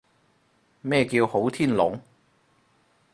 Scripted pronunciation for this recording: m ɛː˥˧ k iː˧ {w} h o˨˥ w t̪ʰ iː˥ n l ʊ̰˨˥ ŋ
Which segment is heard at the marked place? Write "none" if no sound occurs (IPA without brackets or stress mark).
w